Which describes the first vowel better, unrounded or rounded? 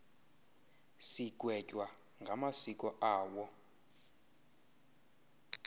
unrounded